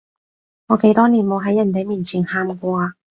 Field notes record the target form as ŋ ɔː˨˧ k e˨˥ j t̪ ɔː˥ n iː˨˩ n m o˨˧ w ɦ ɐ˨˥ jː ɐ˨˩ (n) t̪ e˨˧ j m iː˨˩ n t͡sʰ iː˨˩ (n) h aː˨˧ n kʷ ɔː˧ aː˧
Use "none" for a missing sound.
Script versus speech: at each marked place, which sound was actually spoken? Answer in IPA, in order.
n, n

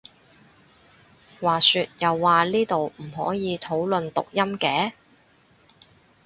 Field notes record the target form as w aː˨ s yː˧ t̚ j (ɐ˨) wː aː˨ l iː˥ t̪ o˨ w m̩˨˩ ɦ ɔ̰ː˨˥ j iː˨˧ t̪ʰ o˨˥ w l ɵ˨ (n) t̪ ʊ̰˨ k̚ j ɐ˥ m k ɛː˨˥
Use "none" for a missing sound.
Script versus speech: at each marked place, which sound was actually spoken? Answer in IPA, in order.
ɐ˨, n

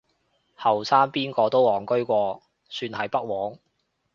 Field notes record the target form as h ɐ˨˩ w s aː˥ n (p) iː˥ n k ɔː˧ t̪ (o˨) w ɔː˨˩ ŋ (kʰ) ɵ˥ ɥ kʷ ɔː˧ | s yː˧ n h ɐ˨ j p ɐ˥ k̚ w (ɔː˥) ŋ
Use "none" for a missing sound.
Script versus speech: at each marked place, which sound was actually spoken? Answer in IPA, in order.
p, o˥, k, ɔː˨˥

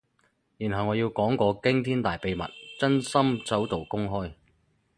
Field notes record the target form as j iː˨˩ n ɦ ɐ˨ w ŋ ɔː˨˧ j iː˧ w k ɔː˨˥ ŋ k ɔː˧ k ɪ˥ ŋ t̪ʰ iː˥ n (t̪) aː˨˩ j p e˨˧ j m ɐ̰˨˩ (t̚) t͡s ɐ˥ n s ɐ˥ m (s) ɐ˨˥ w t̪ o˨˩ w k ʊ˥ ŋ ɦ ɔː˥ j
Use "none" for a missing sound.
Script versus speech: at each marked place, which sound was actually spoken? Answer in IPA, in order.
t̪, t̚, t͡s

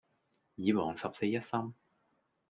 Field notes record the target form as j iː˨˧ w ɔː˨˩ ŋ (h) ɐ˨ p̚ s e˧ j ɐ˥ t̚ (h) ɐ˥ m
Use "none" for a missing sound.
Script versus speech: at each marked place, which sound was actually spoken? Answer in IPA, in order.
s, s

